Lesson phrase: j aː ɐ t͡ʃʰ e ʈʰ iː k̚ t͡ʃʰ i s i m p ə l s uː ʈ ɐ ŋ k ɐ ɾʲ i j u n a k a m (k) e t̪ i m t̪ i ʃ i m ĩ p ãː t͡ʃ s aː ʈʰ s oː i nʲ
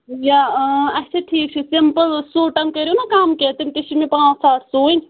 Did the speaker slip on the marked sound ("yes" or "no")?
no